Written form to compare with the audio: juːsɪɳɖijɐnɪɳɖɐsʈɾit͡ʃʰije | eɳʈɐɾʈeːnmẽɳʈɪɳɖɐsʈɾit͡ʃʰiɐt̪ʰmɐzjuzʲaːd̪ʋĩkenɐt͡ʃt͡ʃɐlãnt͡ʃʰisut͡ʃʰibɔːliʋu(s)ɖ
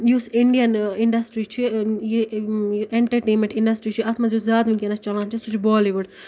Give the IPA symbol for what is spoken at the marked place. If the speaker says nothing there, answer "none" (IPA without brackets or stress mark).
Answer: none